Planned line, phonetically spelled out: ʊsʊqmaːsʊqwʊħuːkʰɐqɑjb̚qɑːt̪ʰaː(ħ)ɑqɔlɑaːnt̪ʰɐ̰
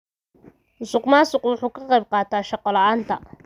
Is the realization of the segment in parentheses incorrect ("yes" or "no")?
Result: yes